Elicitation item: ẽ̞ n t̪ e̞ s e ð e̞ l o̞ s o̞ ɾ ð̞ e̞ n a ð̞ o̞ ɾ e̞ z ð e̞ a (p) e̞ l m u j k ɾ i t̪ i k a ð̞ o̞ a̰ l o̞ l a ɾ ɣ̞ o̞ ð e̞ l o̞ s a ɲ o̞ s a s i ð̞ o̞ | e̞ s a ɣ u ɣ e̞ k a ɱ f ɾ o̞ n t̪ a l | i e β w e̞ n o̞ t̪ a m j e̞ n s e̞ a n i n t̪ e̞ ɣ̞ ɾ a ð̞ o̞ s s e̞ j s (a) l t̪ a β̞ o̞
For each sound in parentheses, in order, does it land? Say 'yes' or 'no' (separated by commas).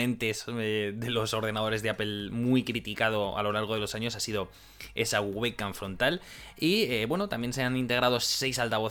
yes, yes